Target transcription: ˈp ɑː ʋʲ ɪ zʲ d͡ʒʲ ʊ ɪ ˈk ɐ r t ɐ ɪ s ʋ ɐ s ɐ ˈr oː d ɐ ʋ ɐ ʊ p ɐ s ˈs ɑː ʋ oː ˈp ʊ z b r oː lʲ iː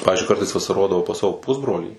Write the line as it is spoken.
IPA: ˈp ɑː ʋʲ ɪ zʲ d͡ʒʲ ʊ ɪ ˈk ɐ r t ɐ ɪ s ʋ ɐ s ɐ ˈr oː d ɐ ʋ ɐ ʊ p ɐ s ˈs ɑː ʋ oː ˈp ʊ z b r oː lʲ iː